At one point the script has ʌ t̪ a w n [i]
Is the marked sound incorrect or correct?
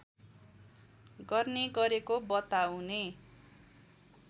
incorrect